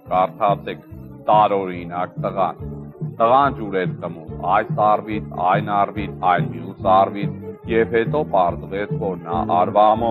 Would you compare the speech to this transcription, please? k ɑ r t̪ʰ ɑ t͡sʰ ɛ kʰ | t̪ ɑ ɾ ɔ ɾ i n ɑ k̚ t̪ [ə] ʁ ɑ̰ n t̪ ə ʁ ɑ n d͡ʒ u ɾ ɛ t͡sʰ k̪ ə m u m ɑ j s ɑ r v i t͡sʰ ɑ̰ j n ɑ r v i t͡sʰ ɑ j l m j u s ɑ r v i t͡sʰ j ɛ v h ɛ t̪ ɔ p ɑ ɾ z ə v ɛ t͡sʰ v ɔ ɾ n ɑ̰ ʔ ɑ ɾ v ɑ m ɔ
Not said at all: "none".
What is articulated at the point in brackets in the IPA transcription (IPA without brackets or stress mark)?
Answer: ə